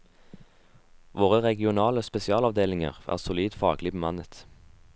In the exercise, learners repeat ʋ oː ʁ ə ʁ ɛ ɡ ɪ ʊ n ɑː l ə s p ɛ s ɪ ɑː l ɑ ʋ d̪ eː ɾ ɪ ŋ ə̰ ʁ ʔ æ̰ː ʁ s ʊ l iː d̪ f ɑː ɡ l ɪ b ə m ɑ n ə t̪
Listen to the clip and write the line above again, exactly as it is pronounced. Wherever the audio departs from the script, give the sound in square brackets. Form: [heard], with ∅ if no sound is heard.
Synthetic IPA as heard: ʋ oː ʁ ə ʁ ɛ ɡ ɪ ʊ n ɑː l ə s p ɛ s ɪ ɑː l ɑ ʋ d̪ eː [l] ɪ ŋ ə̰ ʁ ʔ æ̰ː ʁ s ʊ l iː d̪ f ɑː ɡ l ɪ b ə m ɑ n ə t̪